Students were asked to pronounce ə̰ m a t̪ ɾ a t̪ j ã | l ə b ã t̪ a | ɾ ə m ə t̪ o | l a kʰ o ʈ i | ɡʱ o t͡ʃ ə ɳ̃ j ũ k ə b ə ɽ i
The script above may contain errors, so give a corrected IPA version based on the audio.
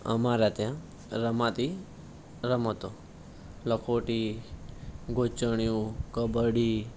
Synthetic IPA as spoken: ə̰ m a ɾ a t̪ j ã | ɾ ə m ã t̪ i | ɾ ə m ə t̪ o | l ə kʰ o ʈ i | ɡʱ o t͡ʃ ə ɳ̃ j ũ k ə b ə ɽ i